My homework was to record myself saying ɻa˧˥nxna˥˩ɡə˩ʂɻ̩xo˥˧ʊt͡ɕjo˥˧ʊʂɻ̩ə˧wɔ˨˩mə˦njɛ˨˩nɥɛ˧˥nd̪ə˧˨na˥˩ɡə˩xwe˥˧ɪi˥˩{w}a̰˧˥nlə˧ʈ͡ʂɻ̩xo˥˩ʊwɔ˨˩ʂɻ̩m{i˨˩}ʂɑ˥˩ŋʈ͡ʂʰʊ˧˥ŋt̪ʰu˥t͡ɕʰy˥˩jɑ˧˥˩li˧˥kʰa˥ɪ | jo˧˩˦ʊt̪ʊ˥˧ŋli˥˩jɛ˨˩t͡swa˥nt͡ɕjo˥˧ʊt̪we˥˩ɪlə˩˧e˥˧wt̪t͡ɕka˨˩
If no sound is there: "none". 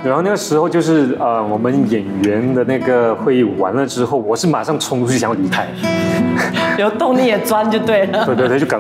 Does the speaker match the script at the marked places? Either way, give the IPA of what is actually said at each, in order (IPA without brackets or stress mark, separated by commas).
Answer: w, a˨˩